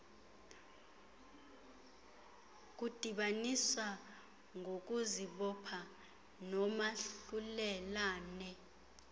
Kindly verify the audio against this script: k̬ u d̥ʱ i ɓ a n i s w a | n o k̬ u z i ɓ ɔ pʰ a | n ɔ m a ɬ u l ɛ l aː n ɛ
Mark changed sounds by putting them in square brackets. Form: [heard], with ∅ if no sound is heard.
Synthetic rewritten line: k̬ u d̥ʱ i ɓ a n i s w a | [ŋ] o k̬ u z i ɓ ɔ pʰ a | n ɔ m a ɬ u l ɛ l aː n ɛ

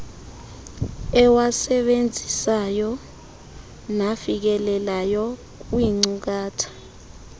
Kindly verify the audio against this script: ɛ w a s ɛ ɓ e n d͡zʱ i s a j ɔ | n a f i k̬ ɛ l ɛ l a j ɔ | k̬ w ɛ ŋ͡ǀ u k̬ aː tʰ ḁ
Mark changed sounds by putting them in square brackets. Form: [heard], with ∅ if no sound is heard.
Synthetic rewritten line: ɛ w a s ɛ ɓ e n d͡zʱ i s a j ɔ | n a f i k̬ ɛ l ɛ l a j ɔ | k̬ w [i] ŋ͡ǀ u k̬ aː tʰ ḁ

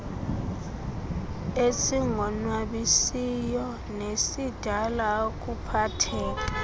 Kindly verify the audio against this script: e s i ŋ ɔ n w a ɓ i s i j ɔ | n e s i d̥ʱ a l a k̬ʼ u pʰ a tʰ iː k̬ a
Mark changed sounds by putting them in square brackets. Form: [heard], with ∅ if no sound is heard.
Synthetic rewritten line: e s i ŋ ɔ n w a ɓ i s i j ɔ | n e s i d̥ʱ a l a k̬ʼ u pʰ a tʰ [ɛː] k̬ a

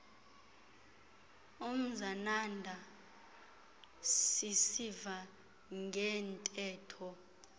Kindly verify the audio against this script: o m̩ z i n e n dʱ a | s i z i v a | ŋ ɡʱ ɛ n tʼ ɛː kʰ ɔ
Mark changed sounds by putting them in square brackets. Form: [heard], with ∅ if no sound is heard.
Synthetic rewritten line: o m̩ z [a] n [a] n dʱ a | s i [s] i v a | ŋ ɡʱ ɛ n tʼ ɛː [tʰ] ɔ

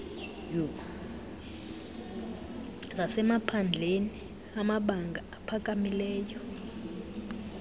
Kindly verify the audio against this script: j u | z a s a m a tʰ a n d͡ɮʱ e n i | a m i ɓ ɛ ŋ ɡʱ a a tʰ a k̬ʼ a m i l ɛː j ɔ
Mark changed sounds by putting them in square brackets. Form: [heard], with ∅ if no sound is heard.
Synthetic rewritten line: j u | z a s [ɛ] m a [pʰ] a n d͡ɮʱ e n i | a m [a] ɓ [a] ŋ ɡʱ a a [pʰ] a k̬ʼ a m i l ɛː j ɔ

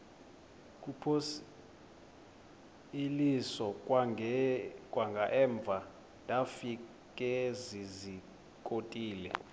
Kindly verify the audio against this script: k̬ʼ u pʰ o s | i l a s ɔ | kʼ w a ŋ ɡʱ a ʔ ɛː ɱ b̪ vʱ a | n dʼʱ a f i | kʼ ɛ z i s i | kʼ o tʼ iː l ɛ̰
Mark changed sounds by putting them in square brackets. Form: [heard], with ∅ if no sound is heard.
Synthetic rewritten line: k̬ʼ u pʰ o s | i l [i] s ɔ | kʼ w a ŋ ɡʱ a ʔ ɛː ɱ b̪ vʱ a | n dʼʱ a f i | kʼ ɛ z i [z] i | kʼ o tʼ iː l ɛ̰

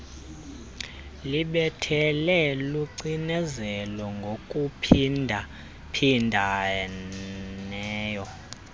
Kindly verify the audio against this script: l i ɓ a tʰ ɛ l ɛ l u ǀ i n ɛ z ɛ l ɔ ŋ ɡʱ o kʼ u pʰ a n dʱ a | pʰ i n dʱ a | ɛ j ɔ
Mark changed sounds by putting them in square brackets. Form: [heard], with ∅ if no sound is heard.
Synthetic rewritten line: l i ɓ [ɛ] tʰ ɛ l ɛ l u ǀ i n ɛ z ɛ l ɔ ŋ ɡʱ o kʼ u pʰ [i] n dʱ a | pʰ i n dʱ a | [ɛː] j ɔ

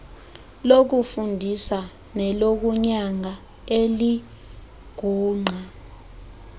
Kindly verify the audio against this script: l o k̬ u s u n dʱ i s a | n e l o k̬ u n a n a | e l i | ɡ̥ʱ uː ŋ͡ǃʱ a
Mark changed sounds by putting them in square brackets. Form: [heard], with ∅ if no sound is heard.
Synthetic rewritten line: l o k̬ u [f] u n dʱ i s a | n [ɛ] l o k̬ u [ɲ] a [ŋ] a | e l i | ɡ̥ʱ uː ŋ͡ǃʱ a

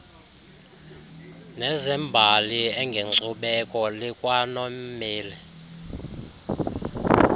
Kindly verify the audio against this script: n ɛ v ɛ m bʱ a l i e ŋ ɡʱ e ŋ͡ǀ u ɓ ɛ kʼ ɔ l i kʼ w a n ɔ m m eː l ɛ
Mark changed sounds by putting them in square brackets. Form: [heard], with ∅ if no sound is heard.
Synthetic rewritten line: n ɛ [z] ɛ m bʱ a l i [ɛ] ŋ ɡʱ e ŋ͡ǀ u ɓ ɛ kʼ ɔ l i kʼ w a n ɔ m m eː l ɛ

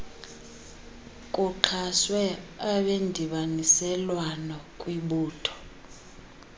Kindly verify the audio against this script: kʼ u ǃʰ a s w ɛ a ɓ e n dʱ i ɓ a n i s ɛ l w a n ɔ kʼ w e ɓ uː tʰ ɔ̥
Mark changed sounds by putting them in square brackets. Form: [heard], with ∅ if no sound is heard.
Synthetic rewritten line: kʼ u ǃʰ a s w ɛ a ɓ e n dʱ i ɓ a n i s ɛ l w a n ɔ kʼ w [i] ɓ uː tʰ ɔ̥

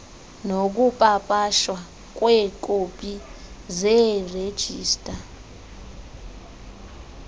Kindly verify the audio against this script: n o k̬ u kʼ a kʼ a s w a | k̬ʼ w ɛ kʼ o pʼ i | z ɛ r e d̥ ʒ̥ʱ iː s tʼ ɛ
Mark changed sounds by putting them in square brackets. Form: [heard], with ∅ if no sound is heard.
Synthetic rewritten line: n o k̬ u [pʼ] a [pʼ] a [ʃ] w a | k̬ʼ w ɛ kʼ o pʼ i | z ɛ r e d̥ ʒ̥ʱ iː s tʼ [a]

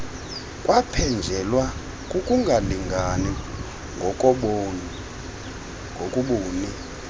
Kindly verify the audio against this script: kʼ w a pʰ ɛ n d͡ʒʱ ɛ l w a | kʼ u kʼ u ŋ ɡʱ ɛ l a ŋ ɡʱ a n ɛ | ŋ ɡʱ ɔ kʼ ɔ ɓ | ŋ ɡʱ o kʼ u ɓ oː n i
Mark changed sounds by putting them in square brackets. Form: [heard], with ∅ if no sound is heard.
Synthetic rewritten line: kʼ w a pʰ ɛ n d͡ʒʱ ɛ l w a | kʼ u kʼ u ŋ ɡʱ [a] l [i] ŋ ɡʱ a n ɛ | ŋ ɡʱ ɔ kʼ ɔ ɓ | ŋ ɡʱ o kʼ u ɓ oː n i

